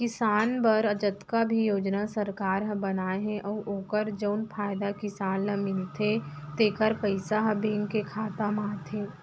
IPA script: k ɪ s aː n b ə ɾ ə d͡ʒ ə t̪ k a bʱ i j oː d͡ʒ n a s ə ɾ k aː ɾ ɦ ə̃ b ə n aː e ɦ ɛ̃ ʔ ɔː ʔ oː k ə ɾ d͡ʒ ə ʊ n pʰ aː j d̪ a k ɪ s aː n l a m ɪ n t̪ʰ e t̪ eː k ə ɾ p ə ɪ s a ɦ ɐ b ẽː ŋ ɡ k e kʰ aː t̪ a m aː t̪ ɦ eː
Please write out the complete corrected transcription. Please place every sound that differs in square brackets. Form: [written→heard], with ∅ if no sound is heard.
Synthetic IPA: k ɪ s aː n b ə ɾ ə d͡ʒ ə t̪ k a bʱ i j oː d͡ʒ n a s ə ɾ k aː ɾ ɦ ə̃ b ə n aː e ɦ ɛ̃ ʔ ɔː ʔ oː k ə ɾ d͡ʒ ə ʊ n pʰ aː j d̪ a k ɪ s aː n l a m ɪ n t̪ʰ e t̪ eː k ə ɾ p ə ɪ s a ɦ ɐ b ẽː ŋ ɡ k e kʰ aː t̪ a m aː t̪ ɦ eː